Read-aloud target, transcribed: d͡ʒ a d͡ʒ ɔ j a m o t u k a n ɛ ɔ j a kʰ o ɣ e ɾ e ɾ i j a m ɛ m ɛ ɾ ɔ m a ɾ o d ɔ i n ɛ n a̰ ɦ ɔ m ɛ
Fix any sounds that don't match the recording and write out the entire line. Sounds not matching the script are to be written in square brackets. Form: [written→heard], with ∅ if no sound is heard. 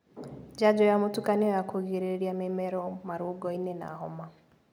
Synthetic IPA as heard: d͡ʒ a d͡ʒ ɔ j a m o t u k a n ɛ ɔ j a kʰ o ɣ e ɾ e ɾ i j a m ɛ m ɛ ɾ ɔ m a ɾ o [d→ɡ] ɔ i n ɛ n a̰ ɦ ɔ m [ɛ→a]